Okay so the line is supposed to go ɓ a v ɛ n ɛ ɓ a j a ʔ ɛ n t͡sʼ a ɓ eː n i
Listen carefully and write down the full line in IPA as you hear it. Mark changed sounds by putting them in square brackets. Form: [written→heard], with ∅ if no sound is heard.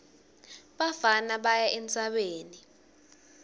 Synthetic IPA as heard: ɓ a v [ɛ→a] n [ɛ→a] ɓ a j a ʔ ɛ n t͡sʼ a ɓ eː n i